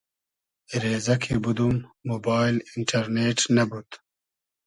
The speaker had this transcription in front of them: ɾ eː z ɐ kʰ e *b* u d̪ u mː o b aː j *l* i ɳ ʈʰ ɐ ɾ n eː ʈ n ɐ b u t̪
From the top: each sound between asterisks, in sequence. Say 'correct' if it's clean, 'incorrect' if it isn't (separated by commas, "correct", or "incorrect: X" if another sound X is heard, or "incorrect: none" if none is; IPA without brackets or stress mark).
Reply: correct, correct